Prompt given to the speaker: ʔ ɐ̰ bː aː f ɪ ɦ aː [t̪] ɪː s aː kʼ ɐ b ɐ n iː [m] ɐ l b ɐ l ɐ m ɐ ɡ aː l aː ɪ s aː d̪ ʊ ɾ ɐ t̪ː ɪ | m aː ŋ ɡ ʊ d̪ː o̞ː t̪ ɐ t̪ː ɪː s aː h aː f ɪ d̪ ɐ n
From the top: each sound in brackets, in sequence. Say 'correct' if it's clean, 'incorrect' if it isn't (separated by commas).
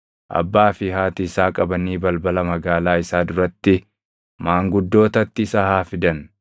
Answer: correct, incorrect